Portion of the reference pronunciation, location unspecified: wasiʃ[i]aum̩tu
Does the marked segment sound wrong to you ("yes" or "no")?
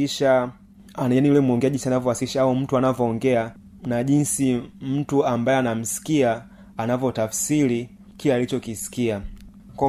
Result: yes